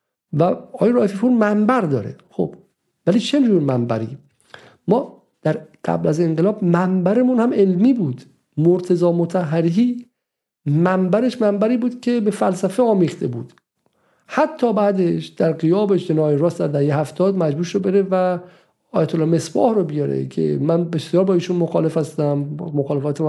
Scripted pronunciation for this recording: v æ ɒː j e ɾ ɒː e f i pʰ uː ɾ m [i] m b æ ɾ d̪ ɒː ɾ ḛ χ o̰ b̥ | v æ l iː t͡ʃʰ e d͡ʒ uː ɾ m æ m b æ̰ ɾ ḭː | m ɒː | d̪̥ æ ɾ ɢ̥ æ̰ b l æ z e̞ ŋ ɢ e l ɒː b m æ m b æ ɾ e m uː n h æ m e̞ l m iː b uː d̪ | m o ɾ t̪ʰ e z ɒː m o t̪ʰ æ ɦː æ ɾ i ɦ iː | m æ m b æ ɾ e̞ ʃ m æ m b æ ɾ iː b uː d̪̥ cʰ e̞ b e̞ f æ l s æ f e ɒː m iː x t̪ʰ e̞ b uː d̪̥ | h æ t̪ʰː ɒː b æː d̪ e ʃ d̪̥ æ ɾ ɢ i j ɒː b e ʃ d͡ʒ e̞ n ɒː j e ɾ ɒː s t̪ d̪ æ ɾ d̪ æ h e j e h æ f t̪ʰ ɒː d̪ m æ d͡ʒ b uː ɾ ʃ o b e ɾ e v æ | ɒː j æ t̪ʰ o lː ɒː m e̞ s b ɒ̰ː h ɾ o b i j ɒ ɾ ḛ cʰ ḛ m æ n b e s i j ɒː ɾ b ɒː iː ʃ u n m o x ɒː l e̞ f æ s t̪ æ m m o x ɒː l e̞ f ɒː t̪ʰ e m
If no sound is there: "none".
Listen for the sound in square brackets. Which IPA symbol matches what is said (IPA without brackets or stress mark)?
æ